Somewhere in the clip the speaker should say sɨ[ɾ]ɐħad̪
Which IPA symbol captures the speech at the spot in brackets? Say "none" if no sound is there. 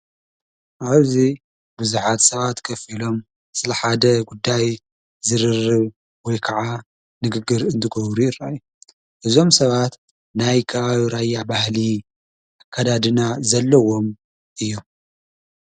l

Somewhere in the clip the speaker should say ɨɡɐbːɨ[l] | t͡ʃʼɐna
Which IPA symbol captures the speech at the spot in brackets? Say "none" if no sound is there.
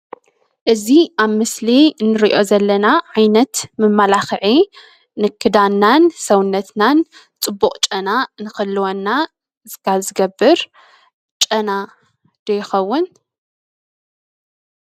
ɾ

